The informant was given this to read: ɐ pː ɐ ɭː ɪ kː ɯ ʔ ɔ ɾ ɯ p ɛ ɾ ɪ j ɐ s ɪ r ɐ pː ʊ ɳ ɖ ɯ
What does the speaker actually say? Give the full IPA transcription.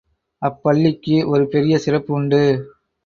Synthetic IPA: ɐ pː ɐ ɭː ɪ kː ɯ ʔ ɔ ɾ ɯ p ɛ ɾ ɪ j ɐ s ɪ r ɐ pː ʊ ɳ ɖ ɯ